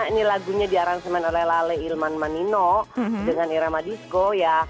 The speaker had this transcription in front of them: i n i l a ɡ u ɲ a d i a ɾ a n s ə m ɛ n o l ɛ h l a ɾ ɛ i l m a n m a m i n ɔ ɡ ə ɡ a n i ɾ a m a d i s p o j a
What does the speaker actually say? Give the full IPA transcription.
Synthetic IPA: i n i l a ɡ u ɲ a d i a ɾ a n s ə m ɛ n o l ɛ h l a l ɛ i l m a n m a n i n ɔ d ə ŋ a n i ɾ a m a d i s k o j a